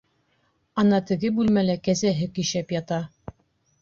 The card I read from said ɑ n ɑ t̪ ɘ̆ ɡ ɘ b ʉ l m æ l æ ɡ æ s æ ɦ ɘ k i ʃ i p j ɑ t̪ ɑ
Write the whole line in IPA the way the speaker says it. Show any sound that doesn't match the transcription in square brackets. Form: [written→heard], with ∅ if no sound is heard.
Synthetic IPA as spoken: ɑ n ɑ t̪ ɘ̆ ɡ ɘ b ʉ l m æ l æ [ɡ→k] æ [s→z] æ ɦ ɘ k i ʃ [i→æ] p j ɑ t̪ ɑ